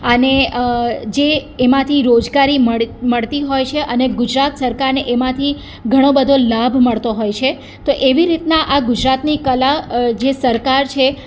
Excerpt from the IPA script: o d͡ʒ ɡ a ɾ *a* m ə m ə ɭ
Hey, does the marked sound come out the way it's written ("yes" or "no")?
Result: no